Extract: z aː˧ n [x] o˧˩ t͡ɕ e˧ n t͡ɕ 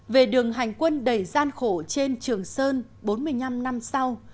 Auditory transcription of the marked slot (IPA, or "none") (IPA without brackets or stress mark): x